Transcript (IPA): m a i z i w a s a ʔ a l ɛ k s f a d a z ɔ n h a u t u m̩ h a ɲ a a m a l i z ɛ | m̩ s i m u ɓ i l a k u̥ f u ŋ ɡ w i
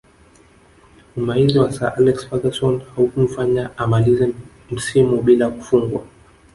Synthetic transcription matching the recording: m a i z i w a s a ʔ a l ɛ k s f a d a s ɔ n h a u k u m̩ f a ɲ a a m a l i z ɛ | m̩ s i m u ɓ i l a k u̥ f u ŋ ɡ w a